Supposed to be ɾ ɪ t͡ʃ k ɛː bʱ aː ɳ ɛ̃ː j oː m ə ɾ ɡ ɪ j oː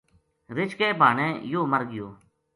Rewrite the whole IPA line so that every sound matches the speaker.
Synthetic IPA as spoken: ɾ ɪ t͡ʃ k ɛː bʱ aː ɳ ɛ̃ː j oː m ə ɾ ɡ ɪ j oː